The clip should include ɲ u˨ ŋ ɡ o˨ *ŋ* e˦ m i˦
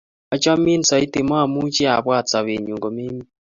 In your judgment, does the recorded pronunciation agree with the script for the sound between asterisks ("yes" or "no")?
no